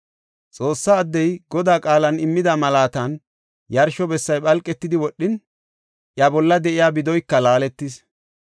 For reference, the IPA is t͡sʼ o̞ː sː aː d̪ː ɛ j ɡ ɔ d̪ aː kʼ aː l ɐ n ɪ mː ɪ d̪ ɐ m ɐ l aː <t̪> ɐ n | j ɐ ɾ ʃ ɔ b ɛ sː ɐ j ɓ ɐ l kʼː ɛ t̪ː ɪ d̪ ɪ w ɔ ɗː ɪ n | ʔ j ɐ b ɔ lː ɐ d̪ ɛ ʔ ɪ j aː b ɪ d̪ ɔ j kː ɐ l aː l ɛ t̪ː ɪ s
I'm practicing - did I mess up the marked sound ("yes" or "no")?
no